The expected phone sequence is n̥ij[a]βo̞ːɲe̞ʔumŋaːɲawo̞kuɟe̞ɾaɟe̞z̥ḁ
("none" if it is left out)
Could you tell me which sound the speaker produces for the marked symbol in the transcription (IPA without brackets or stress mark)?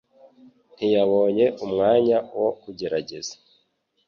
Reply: a